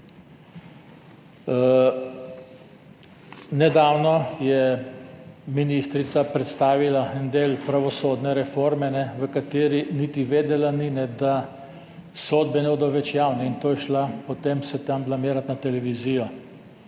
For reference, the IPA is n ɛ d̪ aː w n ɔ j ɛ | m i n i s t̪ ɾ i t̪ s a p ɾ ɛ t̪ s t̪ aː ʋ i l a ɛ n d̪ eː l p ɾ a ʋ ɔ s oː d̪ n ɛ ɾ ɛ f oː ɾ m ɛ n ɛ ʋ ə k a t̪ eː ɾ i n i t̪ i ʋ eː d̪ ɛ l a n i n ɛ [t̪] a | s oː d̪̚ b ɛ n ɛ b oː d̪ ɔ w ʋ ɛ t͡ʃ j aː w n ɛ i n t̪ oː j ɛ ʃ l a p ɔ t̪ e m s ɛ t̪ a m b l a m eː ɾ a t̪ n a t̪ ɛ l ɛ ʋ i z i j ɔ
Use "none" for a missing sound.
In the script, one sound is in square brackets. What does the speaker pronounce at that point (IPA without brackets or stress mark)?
d̪